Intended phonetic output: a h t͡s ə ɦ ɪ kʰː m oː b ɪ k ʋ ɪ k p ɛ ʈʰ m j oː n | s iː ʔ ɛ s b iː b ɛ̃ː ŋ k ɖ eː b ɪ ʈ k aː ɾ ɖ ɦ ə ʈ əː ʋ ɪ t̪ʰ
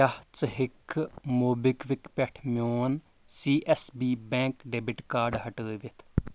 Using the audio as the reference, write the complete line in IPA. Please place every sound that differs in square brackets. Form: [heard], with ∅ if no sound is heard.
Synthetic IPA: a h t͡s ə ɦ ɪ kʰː m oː b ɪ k ʋ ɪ k p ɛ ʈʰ m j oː n | s iː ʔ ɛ s b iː b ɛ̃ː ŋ k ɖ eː b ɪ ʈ k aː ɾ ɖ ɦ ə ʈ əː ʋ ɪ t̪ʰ